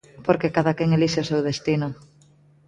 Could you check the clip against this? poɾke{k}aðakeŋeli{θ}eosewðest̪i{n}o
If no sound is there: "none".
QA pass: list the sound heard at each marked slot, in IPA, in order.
k, ʃ, n

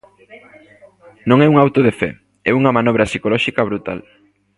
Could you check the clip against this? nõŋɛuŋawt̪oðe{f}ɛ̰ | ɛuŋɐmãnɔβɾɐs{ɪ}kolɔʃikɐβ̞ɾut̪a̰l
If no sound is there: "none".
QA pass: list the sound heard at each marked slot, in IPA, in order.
f, i

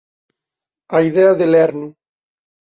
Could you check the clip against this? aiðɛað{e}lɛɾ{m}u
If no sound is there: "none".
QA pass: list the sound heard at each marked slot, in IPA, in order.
e, n

